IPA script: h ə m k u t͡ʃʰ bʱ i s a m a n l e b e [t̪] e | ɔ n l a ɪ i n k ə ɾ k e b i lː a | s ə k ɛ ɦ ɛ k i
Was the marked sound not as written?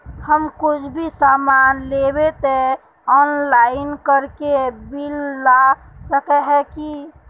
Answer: no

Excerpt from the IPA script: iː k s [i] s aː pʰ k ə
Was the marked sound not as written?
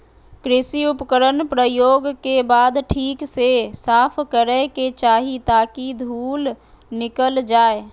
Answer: yes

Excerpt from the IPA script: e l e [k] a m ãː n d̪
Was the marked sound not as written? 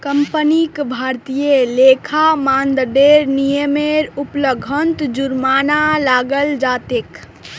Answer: yes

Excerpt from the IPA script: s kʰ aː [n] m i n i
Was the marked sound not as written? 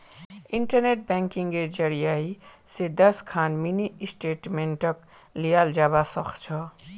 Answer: no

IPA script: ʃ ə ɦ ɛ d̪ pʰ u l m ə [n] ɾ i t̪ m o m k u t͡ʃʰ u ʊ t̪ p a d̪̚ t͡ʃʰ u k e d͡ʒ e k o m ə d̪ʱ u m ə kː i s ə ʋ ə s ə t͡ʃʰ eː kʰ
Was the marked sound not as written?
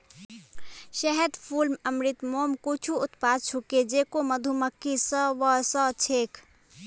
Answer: yes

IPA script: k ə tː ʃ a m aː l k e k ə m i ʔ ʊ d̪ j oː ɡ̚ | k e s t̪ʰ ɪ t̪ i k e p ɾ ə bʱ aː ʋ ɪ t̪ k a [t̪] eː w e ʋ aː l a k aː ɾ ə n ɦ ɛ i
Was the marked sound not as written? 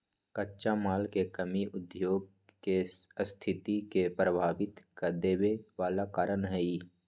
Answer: yes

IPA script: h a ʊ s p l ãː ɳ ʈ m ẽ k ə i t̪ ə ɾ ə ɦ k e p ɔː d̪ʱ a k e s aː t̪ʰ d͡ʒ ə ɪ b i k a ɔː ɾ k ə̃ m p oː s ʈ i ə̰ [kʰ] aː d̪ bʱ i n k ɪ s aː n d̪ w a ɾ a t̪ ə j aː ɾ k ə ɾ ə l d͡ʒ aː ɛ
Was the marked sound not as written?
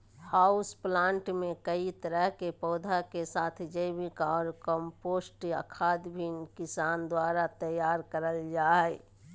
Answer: no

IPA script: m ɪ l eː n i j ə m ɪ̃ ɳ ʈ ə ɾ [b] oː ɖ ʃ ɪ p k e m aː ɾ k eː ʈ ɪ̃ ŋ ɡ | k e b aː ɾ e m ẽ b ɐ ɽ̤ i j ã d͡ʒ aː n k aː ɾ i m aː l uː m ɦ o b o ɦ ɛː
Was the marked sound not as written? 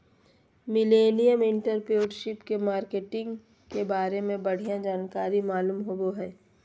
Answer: yes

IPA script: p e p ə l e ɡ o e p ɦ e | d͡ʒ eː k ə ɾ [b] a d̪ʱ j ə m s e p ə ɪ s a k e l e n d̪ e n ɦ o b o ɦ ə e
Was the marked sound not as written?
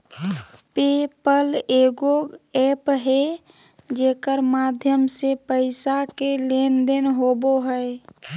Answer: yes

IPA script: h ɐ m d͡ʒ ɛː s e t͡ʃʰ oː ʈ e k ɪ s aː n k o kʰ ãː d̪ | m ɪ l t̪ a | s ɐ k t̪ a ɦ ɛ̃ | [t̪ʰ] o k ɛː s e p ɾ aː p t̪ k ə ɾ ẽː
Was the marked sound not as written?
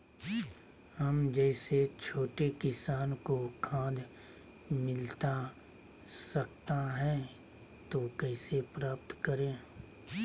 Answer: yes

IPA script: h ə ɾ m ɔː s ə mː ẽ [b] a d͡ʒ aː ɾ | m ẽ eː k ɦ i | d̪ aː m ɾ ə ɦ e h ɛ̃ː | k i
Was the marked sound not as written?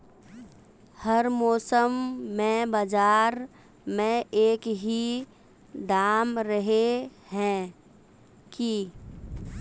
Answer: no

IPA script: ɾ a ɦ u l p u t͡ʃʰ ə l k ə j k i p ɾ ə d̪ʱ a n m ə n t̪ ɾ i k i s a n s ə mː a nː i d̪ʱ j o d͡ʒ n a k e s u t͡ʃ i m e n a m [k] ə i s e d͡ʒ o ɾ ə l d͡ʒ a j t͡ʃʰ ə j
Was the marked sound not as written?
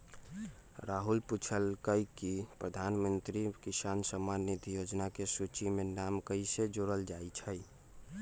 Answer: no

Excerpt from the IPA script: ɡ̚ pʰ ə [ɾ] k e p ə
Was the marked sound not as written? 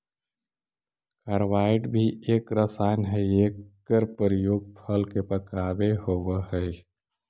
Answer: yes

